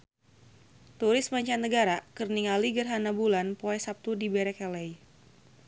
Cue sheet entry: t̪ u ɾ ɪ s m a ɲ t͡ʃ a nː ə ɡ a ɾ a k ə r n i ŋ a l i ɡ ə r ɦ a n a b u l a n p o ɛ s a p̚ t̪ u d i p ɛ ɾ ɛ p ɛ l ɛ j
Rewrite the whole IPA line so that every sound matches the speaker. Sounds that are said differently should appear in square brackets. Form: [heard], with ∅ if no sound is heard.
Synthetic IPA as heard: t̪ u ɾ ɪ s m a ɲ t͡ʃ a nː ə ɡ a ɾ a k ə r n i ŋ a l i ɡ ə r ɦ a n a b u l a n p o ɛ s a p̚ t̪ u d i [b] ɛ ɾ ɛ [k] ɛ l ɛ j